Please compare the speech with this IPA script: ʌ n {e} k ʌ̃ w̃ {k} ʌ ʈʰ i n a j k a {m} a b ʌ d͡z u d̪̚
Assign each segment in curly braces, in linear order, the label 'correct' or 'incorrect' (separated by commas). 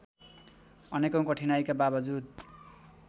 correct, correct, incorrect